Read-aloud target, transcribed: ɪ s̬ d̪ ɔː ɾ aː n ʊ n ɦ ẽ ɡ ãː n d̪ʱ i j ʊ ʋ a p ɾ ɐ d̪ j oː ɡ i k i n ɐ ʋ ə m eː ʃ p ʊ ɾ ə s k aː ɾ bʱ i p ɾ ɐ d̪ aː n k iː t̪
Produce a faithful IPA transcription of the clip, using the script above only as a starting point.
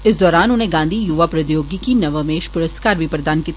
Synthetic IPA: ɪ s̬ d̪ ɔː ɾ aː n ʊ n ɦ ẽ ɡ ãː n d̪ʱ i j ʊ ʋ a p ɾ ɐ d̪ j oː ɡ i k i n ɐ ʋ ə m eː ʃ p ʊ ɾ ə s k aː ɾ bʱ i p ɾ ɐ d̪ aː n k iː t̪